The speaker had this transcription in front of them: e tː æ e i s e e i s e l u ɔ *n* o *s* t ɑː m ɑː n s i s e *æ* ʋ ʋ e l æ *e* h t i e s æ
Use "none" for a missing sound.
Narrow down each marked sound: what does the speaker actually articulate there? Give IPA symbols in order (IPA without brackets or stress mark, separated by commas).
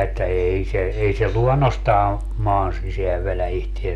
nː, s, æ, i